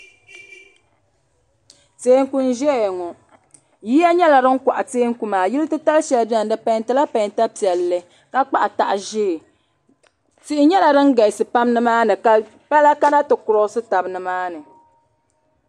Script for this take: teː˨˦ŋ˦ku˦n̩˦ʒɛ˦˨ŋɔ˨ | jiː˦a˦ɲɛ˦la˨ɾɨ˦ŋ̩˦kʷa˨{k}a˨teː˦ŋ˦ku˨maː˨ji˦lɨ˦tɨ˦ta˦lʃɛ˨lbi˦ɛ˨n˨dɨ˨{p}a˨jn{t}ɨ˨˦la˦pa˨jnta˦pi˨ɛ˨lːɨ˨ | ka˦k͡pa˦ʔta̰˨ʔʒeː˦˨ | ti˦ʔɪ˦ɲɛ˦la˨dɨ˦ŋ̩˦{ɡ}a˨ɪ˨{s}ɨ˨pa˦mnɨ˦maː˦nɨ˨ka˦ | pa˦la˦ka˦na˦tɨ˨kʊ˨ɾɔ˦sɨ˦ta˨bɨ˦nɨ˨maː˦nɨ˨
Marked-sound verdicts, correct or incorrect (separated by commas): incorrect, correct, correct, correct, correct